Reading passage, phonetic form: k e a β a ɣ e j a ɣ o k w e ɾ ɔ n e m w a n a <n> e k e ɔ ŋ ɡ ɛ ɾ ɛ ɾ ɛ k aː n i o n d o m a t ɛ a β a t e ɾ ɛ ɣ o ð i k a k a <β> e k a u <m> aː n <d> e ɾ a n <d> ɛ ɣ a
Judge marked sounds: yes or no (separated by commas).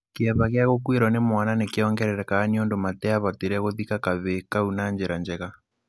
yes, yes, no, no, no